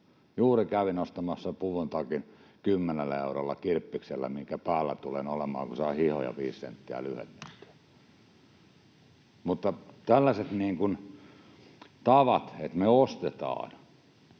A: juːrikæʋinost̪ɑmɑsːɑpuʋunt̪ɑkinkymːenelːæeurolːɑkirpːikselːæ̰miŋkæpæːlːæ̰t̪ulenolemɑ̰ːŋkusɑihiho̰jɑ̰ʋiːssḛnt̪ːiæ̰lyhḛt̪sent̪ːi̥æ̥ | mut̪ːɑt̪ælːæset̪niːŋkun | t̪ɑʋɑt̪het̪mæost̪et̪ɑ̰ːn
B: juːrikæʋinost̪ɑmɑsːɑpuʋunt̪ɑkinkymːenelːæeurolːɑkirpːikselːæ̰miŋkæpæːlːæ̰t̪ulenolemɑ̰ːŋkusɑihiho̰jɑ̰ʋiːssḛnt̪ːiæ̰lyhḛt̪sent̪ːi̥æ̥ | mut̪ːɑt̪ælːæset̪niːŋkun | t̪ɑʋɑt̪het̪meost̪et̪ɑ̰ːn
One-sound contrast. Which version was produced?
B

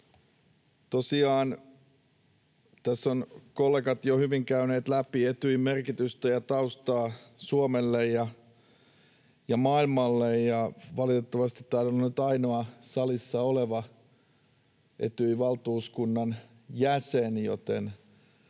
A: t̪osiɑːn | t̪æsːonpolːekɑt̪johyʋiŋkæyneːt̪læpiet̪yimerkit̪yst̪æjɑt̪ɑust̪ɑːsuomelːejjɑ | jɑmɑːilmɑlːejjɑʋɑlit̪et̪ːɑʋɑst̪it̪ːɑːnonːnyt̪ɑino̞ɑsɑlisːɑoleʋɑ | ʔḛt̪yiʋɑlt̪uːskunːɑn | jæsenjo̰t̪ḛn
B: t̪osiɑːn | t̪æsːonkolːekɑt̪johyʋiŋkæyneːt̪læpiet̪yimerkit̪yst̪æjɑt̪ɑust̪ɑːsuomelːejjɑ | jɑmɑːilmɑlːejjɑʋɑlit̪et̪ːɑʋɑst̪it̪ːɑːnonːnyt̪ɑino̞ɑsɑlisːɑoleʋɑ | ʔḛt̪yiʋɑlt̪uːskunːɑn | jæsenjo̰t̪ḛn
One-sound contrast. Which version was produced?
B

